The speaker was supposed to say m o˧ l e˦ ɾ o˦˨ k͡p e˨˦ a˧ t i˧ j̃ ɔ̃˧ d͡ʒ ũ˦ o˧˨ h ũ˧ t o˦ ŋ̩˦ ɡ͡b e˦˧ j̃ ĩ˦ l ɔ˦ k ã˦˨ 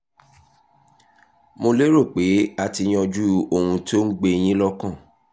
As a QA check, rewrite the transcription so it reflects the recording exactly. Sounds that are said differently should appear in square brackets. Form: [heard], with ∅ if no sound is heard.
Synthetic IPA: m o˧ l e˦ ɾ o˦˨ k͡p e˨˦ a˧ t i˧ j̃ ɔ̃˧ d͡ʒ [u˦] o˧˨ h ũ˧ t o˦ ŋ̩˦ ɡ͡b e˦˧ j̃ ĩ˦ l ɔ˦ k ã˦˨